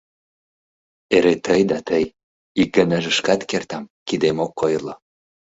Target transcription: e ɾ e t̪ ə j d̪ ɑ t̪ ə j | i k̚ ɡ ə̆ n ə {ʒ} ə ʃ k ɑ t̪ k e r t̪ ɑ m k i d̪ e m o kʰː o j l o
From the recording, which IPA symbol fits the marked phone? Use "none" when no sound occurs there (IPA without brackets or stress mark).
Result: ʒ